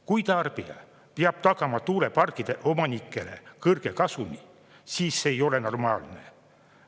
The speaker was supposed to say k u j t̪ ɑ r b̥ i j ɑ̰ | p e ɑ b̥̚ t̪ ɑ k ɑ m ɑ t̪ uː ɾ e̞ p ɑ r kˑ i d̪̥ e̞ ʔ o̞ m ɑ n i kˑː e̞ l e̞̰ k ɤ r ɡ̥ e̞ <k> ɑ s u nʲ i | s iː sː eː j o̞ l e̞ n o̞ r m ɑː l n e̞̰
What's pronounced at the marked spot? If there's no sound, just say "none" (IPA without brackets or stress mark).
k